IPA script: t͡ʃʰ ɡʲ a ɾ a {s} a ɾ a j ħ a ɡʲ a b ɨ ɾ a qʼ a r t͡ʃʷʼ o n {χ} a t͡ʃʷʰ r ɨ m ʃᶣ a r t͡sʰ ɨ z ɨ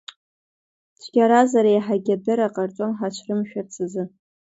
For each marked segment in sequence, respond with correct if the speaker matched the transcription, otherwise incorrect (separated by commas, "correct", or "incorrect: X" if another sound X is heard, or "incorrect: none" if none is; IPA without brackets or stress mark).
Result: incorrect: z, incorrect: ħ